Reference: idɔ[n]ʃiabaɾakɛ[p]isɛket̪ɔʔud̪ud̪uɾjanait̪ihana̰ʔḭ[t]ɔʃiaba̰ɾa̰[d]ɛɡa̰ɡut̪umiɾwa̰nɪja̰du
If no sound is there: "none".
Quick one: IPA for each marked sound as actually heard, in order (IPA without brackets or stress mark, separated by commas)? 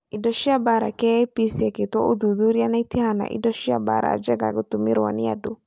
none, p, d, d͡ʒ